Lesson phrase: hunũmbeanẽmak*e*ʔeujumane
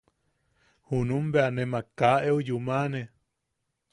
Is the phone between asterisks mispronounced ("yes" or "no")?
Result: yes